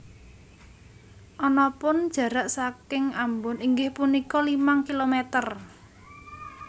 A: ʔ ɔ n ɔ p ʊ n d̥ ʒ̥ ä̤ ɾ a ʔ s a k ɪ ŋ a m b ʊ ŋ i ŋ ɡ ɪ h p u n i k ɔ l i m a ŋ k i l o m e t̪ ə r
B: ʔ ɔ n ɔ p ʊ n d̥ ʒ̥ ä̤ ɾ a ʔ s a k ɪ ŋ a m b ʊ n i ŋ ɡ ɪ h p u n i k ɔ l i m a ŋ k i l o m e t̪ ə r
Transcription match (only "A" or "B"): B